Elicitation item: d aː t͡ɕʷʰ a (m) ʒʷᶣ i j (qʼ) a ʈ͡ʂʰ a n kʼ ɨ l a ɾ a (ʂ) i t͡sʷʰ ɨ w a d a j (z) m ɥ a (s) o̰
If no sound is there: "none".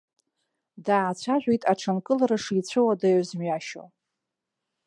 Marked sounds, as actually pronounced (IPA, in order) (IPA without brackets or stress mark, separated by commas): none, tʼ, ʂ, z, ʃ